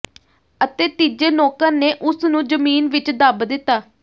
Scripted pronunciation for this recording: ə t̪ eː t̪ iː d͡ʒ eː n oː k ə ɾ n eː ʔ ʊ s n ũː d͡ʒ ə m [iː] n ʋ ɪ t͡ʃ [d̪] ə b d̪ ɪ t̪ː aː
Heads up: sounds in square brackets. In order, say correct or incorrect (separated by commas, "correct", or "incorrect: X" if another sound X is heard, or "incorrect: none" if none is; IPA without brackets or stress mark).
correct, correct